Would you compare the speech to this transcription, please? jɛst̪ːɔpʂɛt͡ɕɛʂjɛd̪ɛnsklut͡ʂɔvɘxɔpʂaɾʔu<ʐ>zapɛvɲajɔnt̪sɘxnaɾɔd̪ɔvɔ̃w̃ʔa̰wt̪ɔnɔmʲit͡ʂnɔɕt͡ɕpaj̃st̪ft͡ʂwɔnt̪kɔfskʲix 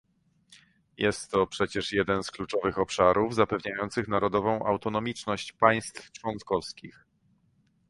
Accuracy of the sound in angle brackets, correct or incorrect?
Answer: incorrect